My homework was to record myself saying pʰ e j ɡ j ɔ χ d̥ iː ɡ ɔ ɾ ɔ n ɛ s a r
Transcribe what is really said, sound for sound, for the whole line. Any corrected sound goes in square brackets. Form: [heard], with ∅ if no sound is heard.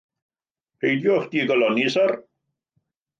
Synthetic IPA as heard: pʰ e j [d] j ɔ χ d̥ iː ɡ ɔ [l] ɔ n [i] s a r